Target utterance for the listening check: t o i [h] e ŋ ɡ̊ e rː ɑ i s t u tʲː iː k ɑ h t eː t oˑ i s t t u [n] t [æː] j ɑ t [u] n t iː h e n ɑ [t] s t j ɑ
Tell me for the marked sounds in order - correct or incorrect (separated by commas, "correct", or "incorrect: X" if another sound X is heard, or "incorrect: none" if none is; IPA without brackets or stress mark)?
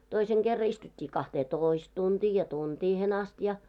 incorrect: s, correct, incorrect: iː, correct, incorrect: none